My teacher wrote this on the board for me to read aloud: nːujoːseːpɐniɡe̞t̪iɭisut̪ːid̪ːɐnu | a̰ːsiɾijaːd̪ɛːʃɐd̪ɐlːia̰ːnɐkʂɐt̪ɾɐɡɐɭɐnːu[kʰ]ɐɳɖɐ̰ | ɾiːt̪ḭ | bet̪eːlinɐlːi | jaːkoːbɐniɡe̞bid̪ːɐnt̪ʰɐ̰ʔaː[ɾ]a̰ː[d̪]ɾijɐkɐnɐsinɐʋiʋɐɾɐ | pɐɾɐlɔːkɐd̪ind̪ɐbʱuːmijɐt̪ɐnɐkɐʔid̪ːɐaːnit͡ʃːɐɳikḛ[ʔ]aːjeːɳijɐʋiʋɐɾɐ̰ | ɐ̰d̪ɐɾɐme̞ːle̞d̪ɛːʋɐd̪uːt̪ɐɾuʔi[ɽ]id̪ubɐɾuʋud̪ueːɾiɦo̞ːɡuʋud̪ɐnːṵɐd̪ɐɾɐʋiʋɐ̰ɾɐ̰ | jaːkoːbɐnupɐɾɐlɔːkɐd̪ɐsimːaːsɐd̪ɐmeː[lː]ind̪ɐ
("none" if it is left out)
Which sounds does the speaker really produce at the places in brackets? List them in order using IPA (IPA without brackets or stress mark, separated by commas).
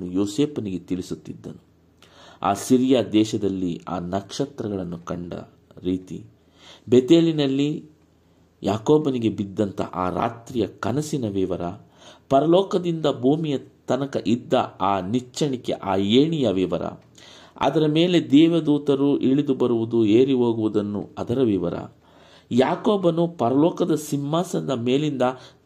k, ɾ, t̪, ʔ, ɭ, l